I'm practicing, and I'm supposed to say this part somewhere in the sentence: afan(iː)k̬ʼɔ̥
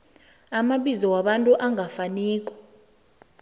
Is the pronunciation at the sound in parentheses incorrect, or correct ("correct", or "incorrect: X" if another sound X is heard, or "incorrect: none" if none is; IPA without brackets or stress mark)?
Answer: correct